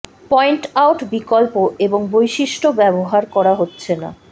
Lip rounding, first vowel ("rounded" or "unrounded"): rounded